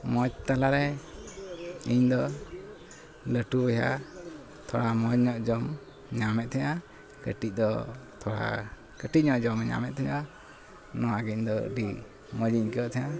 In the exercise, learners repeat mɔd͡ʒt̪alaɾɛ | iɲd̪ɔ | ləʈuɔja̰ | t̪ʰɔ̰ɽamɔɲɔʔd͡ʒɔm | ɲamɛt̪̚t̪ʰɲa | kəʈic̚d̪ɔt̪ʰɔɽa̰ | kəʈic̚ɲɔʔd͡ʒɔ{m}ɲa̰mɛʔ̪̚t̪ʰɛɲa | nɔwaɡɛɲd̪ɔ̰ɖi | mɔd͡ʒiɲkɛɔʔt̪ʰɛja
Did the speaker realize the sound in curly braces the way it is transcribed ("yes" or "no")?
yes